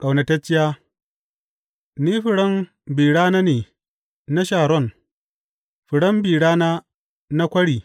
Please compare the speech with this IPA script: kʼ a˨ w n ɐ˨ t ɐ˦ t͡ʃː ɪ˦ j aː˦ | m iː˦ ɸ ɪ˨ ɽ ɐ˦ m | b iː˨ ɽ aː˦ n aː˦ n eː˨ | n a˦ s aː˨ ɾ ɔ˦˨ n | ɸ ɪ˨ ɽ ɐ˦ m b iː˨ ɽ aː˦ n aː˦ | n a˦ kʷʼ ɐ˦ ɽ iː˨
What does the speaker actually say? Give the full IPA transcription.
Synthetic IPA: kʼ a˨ w n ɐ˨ t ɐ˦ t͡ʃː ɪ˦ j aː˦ | n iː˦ ɸ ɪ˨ ɽ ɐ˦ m | b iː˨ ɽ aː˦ n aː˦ n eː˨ | n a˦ ʃ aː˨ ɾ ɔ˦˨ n | ɸ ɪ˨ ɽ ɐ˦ m b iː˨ ɽ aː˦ n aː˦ | n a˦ kʷ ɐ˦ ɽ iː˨